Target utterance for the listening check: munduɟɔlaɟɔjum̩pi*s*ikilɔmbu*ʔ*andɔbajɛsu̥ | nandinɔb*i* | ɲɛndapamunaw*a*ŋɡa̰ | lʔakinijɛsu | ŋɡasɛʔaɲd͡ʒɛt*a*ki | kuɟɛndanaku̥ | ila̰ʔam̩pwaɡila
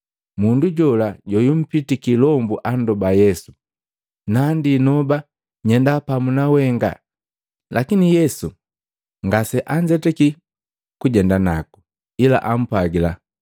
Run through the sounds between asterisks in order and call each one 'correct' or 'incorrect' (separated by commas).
incorrect, correct, incorrect, incorrect, incorrect